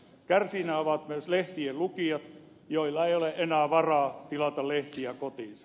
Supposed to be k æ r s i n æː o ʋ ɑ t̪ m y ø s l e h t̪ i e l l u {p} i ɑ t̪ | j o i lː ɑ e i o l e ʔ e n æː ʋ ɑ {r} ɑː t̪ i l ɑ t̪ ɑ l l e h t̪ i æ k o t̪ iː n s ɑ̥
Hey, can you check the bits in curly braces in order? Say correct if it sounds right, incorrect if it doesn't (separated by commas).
incorrect, correct